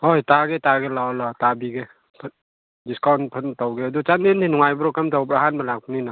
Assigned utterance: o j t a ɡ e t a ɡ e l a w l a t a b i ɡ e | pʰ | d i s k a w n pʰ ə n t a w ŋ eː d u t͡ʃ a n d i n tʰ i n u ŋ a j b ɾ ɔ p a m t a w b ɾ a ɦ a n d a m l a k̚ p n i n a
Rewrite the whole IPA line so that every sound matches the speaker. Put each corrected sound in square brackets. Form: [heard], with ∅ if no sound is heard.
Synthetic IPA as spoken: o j t a ɡ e t a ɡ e l a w l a t a b i ɡ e | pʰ | d i s k a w n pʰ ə n t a w [ɡ] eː d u t͡ʃ a n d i n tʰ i n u ŋ a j b ɾ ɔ [k] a m t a w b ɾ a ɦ a n [b] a [∅] l a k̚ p n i n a